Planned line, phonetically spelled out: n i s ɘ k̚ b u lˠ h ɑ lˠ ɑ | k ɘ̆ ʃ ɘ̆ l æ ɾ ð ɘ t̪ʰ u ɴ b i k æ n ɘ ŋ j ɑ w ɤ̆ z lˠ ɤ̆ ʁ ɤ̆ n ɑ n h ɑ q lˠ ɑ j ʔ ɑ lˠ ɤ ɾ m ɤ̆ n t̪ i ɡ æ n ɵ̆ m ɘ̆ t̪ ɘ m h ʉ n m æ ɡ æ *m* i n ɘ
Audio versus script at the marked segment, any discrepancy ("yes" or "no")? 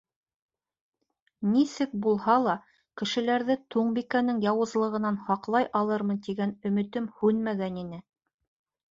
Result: yes